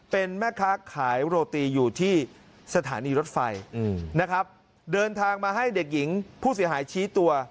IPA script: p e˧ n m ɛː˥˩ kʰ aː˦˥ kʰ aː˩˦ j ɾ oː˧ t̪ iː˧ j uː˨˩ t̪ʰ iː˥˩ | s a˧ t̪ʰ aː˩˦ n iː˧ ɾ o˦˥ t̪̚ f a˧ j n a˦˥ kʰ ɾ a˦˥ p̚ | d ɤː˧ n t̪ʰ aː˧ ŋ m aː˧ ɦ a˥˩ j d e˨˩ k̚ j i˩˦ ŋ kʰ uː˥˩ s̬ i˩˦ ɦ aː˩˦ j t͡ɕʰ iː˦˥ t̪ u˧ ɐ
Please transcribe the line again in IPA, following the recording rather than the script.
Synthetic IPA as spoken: p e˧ n m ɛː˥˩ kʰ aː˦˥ kʰ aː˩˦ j ɾ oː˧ t̪ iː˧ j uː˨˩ t̪ʰ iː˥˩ | s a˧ t̪ʰ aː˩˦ n iː˧ ɾ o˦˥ t̪̚ f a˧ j n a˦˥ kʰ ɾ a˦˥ p̚ | d ɤː˧ n t̪ʰ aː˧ ŋ m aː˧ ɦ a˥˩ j d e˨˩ k̚ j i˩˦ ŋ pʰ uː˥˩ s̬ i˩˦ ɦ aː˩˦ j t͡ɕʰ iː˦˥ t̪ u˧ ɐ

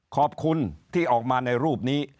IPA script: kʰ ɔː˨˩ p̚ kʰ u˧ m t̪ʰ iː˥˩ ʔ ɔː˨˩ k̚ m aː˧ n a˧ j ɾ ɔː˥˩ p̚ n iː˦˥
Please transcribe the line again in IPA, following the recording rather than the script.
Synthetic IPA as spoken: kʰ ɔː˨˩ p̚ kʰ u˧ n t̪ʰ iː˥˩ ʔ ɔː˨˩ k̚ m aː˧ n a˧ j ɾ uː˥˩ p̚ n iː˦˥

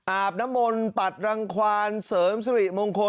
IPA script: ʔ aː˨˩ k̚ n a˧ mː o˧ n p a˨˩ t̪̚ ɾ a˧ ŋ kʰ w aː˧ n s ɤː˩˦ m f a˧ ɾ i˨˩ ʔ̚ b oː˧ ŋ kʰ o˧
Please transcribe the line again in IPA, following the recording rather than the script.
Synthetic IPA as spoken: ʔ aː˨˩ p̚ n a˦˥ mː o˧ n p a˨˩ t̪̚ ɾ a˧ ŋ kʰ w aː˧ n s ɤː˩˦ m s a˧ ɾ i˨˩ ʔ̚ m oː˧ ŋ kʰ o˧

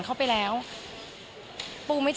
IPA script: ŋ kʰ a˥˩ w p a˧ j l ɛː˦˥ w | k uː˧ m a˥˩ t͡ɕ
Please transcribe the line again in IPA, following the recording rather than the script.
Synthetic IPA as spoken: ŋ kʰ a˥˩ w p a˧ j l ɛː˦˥ w | p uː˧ m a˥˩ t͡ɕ

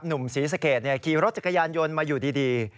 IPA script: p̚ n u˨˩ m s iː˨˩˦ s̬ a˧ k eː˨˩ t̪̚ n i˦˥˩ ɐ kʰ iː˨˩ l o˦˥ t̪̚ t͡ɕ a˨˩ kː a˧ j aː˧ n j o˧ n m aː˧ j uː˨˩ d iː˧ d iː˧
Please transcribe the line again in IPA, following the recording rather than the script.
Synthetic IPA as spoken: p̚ n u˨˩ m s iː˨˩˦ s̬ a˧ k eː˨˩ t̪̚ n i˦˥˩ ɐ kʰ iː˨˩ ɾ o˦˥ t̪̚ t͡ɕ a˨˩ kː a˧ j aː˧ n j o˧ n m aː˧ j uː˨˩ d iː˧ d iː˧

